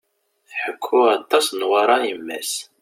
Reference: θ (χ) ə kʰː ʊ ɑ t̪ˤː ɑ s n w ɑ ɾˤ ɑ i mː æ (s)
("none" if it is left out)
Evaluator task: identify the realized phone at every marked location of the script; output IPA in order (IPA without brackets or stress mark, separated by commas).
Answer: ħ, s